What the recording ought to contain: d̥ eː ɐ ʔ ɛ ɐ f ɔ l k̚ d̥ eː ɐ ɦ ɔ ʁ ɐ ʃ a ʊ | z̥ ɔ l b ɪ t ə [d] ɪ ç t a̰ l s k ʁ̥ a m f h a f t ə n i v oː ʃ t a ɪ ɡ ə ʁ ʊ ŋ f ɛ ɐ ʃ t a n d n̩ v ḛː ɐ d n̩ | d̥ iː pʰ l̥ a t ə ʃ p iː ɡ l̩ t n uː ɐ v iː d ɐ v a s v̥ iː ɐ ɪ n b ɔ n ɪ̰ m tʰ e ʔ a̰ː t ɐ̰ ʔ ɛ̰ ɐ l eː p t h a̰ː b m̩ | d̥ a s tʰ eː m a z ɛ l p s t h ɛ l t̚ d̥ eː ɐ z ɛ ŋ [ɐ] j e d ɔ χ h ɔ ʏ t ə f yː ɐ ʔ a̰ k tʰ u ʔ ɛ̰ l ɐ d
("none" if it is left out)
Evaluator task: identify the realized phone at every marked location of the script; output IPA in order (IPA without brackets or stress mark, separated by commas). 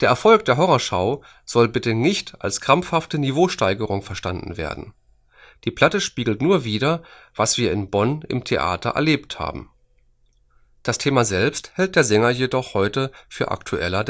n, ɐ